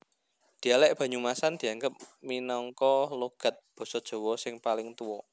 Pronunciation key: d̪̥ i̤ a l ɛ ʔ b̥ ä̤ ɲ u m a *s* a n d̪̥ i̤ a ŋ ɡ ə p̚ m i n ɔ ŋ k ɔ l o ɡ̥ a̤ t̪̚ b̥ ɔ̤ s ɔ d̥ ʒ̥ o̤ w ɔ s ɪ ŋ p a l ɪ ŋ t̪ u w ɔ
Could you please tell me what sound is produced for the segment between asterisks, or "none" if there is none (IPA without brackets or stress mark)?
s